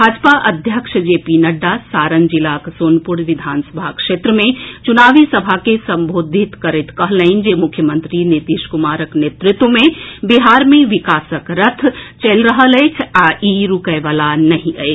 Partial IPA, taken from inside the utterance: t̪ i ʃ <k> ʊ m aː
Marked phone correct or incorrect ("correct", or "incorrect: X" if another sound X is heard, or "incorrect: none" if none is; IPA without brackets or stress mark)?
correct